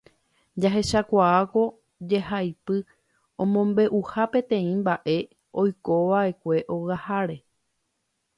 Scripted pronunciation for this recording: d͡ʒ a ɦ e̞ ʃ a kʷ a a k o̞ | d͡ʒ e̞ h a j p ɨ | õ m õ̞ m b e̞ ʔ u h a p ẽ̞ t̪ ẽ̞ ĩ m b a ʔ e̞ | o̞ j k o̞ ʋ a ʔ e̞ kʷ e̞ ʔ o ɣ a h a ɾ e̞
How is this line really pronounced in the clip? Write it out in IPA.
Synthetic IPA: d͡ʒ a ɦ e̞ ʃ a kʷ a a k o̞ | d͡ʒ e̞ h a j p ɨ | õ m õ̞ m b e̞ ʔ u h a p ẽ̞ t̪ ẽ̞ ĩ m b a ʔ e̞ | o̞ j k o̞ ʋ a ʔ e̞ kʷ e̞ ʔ o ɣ a h a ɾ e̞